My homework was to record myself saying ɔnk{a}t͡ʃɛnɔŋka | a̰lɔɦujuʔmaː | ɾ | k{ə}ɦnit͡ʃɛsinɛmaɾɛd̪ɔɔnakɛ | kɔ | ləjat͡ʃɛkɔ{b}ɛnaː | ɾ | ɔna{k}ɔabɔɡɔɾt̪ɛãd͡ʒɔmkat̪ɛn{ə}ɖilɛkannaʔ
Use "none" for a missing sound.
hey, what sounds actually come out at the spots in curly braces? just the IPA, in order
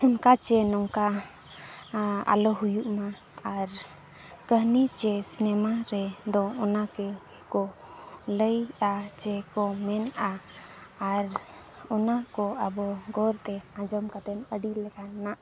a, ə, m, k, ə

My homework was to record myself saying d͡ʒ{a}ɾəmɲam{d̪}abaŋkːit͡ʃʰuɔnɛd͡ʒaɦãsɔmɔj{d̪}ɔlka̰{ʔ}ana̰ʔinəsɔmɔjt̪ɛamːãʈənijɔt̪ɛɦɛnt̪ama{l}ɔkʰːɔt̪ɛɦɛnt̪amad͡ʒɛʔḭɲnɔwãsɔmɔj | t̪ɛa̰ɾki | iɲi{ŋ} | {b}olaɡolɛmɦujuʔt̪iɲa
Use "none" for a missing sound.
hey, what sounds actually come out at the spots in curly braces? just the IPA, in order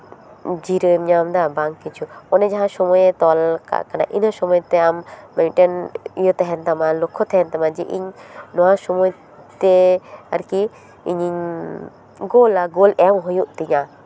i, d̪, t̪, k, l, ɲ, ɡ

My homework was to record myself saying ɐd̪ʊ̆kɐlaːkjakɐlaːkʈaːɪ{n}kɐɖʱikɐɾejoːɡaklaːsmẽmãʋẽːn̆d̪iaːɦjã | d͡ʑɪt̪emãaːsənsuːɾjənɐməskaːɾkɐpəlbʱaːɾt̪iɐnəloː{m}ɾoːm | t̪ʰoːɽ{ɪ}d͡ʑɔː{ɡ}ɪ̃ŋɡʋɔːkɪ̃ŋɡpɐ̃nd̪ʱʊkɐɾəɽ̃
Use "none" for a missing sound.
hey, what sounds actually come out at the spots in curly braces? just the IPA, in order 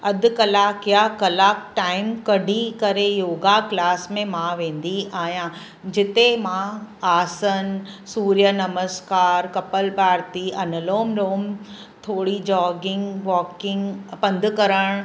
m, m, i, ɡ

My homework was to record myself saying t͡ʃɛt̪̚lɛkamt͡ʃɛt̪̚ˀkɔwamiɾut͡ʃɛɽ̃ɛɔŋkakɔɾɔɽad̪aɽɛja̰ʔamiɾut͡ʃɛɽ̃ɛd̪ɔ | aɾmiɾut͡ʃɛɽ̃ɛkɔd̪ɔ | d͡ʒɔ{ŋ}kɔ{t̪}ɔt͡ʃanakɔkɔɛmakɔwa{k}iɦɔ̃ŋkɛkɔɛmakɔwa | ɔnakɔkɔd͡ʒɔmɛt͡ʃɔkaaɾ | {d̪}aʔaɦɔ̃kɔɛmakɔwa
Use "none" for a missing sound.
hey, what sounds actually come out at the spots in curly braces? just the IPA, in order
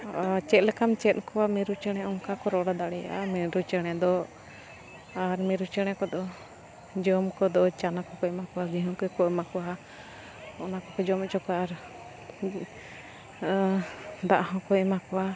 m, d̪, ɡ, d̪

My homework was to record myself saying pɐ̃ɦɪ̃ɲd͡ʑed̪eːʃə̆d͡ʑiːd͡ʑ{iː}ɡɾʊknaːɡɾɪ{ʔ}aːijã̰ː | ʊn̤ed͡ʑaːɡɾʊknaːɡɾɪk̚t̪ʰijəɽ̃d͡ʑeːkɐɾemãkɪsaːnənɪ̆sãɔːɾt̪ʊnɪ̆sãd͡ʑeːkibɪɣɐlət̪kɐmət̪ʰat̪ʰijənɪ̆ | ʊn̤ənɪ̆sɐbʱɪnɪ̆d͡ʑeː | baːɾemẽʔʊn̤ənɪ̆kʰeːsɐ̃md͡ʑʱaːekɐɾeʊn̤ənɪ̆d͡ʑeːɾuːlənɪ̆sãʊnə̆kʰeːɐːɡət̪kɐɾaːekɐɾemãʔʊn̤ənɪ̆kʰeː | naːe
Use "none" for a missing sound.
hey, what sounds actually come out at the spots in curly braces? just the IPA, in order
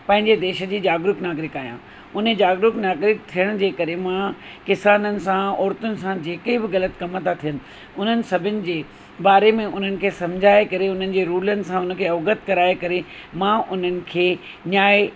aː, k

